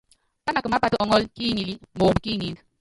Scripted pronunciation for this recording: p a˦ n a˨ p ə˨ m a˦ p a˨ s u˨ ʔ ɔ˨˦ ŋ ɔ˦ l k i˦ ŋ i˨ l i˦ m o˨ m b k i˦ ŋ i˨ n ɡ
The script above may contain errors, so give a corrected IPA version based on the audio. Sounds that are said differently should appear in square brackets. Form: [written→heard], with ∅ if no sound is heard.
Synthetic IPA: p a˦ n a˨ [p→k] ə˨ m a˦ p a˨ [s→t] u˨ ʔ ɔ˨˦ ŋ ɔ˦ l k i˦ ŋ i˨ l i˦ m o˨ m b k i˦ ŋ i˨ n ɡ